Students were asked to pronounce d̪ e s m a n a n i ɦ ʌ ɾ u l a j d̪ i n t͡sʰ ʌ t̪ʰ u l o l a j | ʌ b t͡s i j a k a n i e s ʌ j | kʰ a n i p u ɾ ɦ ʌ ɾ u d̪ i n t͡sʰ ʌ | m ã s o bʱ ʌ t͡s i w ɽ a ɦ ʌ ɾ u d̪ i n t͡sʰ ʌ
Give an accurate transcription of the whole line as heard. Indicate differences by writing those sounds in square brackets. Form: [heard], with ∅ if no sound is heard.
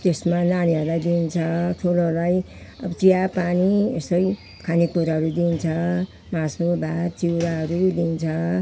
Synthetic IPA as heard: [t̪] e s m a n a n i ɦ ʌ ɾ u l a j d̪ i n t͡sʰ ʌ t̪ʰ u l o l a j | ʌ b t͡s i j a [p] a n i e s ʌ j | kʰ a n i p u ɾ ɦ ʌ ɾ u d̪ i n t͡sʰ ʌ | m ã s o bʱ [a] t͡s i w [ɾ] a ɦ ʌ ɾ u d̪ i n t͡sʰ ʌ